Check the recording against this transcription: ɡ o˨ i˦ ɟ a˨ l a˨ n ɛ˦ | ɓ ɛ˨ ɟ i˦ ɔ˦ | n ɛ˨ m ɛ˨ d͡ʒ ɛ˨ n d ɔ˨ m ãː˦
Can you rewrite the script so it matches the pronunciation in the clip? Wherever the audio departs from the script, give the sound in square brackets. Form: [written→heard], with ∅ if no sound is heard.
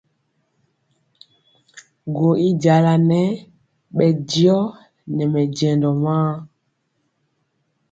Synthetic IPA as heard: ɡ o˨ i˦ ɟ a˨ l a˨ n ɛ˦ | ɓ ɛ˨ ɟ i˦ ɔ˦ | n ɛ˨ m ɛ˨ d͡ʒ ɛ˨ n d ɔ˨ m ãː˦